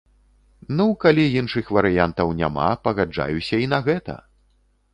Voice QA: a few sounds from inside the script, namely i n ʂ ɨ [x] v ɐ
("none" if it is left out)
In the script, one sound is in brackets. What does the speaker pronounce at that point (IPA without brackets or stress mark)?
x